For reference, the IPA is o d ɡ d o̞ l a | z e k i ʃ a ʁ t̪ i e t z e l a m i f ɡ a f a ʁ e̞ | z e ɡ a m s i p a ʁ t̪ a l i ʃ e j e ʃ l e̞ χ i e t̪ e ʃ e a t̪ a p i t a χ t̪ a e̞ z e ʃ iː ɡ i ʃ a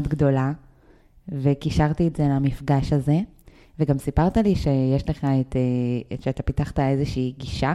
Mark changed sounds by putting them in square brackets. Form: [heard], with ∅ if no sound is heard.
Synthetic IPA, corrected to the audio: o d ɡ d o̞ l a | [v] e k i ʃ a ʁ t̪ i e t z e l a m i f ɡ a [ʃ] a [z] e̞ | [v] e ɡ a m s i p a ʁ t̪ a l i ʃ e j e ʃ l e̞ χ [a] e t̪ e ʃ e a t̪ a p i t a χ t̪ a e̞ z e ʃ iː ɡ i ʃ a